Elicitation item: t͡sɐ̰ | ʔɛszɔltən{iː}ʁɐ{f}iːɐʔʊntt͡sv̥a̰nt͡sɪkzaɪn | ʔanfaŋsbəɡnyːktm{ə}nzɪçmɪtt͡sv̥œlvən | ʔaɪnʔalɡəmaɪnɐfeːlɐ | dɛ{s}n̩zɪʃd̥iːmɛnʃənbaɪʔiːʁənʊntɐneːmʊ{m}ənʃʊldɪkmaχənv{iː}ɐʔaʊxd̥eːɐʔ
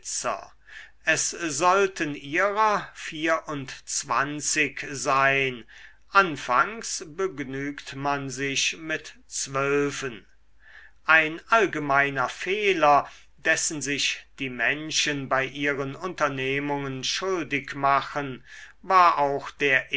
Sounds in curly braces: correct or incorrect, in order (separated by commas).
correct, correct, incorrect, correct, incorrect, incorrect